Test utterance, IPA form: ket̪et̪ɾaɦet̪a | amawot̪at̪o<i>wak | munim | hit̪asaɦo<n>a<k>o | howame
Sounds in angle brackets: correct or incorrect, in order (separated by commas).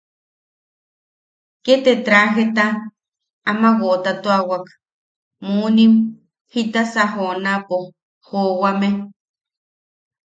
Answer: incorrect, correct, incorrect